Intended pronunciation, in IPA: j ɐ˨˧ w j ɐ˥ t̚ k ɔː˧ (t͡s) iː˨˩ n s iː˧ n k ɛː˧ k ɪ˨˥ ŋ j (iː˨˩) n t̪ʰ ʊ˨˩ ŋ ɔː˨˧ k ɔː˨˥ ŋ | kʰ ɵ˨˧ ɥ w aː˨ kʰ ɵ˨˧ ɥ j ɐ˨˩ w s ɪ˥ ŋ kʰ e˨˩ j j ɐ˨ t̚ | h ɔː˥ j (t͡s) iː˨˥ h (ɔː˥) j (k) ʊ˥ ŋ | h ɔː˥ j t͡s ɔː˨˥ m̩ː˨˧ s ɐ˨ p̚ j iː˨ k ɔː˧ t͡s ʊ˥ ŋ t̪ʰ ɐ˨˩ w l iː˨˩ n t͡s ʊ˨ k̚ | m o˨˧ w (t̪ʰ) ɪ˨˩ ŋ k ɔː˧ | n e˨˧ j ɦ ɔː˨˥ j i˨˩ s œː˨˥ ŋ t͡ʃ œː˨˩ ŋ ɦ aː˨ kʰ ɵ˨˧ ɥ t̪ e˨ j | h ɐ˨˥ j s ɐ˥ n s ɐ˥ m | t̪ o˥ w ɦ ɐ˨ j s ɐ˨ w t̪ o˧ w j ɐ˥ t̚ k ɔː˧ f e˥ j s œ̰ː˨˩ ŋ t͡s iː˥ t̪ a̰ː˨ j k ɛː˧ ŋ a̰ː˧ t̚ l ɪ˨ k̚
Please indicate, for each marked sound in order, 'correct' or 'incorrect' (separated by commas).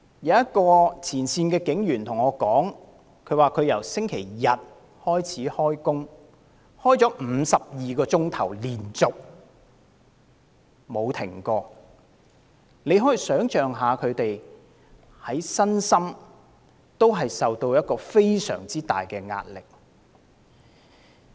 incorrect, incorrect, incorrect, correct, correct, correct